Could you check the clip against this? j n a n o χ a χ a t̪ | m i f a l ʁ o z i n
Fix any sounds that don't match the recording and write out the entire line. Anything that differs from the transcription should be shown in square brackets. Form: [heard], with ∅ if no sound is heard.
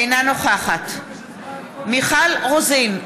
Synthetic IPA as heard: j n a n o χ a χ a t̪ | m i [χ] a l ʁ o z i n

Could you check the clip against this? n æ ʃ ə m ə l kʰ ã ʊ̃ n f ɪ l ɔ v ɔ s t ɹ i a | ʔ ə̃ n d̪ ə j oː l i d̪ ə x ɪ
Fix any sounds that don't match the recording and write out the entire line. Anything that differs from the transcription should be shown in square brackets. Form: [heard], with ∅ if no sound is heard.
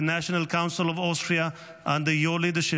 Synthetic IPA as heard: n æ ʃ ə [n] ə l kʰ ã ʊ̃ n [s] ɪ l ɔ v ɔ s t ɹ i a | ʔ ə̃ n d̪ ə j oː l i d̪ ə [ʃ] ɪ

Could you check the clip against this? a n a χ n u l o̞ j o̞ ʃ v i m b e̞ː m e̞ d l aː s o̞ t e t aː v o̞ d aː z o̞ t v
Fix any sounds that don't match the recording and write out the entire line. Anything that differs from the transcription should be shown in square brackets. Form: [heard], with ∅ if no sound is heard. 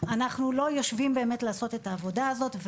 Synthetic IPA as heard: a n a χ n u l o̞ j o̞ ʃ v i m b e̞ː m e̞ [t] l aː s o̞ t e t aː v o̞ d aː z o̞ t v

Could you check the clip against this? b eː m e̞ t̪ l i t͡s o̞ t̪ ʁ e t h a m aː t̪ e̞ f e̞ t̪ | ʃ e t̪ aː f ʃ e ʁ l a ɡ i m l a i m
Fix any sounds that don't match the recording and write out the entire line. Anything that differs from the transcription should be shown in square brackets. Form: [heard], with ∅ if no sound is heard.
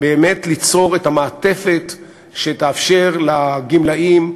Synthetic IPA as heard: b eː m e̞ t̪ l i t͡s o̞ [∅] ʁ e t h a m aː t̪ e̞ f e̞ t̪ | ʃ e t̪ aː f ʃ e ʁ l a ɡ i m l a i m

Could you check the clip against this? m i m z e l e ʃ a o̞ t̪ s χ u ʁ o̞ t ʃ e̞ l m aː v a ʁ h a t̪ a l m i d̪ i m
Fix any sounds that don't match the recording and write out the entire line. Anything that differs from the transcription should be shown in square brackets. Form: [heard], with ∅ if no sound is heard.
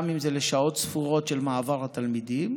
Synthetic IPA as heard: m i m z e l e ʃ a o̞ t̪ s [f] u ʁ o̞ t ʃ e̞ l m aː v a ʁ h a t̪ a l m i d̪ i m

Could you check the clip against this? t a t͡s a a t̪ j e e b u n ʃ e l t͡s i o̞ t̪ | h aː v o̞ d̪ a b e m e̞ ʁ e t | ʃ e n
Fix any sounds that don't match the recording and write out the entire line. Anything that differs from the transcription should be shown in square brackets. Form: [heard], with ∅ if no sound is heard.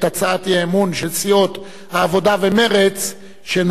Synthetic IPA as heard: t a t͡s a a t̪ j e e [m] u n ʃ e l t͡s i o̞ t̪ | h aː v o̞ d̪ a [v] e m e̞ ʁ e [t͡s] | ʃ e n

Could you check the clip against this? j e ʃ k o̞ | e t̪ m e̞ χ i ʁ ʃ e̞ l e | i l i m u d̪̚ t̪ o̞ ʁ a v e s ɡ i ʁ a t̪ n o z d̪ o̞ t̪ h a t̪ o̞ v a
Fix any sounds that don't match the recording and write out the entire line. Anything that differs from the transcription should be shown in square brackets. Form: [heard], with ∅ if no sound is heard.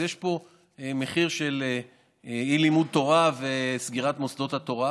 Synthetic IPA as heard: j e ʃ [p] o̞ | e [∅] m e̞ χ i ʁ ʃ e̞ l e | i l i m u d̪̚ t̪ o̞ ʁ a v e s ɡ i ʁ a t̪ [m] o [s] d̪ o̞ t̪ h a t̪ o̞ [ʁ] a

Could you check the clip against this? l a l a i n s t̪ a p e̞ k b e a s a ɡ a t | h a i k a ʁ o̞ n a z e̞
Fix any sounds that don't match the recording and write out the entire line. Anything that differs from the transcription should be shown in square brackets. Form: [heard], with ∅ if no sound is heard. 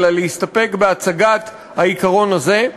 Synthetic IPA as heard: l a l [e] i [∅] s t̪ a p e̞ k b e a [t͡s] a ɡ a t | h a i k a ʁ o̞ n a z e̞

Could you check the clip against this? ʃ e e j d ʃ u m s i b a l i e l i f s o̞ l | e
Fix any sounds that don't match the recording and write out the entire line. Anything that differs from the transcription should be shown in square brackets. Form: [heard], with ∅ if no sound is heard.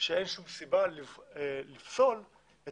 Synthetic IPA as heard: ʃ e e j [n] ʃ u m s i b a l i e l i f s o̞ l | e

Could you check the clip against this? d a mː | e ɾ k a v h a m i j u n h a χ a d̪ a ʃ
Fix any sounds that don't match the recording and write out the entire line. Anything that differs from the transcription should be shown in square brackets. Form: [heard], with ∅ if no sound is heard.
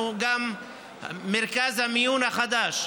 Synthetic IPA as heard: [ɡ] a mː | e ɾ k a [z] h a m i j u n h a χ a d̪ a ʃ

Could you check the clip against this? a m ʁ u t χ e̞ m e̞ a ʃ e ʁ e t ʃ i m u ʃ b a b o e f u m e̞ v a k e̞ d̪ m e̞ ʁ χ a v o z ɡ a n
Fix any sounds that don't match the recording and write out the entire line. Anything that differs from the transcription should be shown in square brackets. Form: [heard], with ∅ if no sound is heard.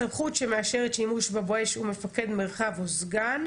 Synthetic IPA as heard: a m [χ] u t [ʃ] e̞ m e̞ a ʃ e ʁ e t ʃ i m u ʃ b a b o e [ʃ] u m e̞ [f] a k e̞ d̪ m e̞ ʁ χ a v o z ɡ a n

